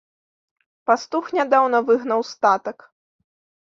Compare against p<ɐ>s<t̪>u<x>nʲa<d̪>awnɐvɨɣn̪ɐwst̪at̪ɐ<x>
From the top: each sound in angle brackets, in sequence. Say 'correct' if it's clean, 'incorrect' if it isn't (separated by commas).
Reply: incorrect, correct, correct, correct, incorrect